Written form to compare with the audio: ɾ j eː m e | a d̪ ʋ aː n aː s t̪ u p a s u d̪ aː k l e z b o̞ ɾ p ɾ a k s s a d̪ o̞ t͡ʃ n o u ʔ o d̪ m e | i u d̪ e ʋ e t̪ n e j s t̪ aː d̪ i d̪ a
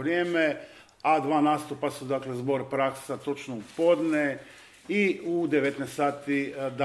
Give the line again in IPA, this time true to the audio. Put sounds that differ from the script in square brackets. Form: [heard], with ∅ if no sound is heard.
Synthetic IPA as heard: ɾ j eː m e | a d̪ ʋ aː n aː s t̪ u p a s u d̪ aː k l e z b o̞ ɾ p ɾ a k s s a [t̪] o̞ t͡ʃ n o u [p] o d̪ [n] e | i u d̪ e ʋ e t̪ n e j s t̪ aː [t̪] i d̪ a